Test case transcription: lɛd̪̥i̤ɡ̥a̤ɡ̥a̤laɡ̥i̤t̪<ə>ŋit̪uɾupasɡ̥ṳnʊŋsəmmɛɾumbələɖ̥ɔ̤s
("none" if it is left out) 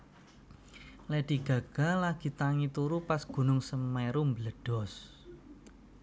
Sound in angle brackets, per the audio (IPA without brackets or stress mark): a